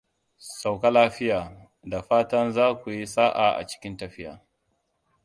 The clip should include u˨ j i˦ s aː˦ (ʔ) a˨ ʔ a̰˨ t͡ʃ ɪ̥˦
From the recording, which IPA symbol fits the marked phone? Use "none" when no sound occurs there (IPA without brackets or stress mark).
ʔ